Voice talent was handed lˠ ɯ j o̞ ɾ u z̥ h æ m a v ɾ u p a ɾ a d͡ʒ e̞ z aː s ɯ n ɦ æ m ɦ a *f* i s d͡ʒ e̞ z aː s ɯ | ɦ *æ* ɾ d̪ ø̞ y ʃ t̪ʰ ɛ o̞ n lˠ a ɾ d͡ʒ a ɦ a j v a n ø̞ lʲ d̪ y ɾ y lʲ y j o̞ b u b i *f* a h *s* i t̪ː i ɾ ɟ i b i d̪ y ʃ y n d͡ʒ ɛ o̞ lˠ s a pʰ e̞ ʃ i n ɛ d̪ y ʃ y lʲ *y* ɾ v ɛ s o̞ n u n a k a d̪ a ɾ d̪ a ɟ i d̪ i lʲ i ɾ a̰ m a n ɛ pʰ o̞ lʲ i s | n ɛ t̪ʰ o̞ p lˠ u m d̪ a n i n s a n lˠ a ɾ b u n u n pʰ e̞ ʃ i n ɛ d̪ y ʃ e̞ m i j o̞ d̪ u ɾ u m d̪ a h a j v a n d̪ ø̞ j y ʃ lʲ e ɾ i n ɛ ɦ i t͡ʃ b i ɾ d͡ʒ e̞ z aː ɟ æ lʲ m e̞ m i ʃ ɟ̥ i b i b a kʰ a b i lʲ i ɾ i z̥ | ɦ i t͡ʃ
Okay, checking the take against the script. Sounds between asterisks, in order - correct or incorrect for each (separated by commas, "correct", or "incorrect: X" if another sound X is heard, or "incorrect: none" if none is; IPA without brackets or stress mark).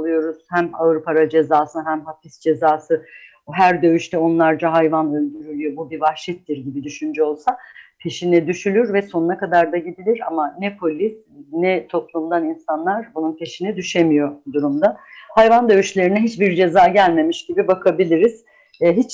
correct, correct, incorrect: v, incorrect: ʃ, correct